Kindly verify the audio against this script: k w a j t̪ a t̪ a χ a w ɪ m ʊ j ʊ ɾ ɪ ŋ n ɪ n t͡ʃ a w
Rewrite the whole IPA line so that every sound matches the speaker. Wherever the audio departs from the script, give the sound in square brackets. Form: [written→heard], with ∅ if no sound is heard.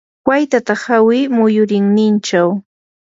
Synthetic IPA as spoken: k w a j t̪ a t̪ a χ a w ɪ m ʊ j ʊ ɾ ɪ ŋ n ɪ n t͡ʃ a w